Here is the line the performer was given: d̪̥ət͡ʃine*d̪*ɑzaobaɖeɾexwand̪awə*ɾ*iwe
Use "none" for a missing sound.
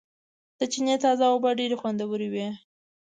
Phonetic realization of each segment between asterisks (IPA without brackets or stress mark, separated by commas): t̪, ɾ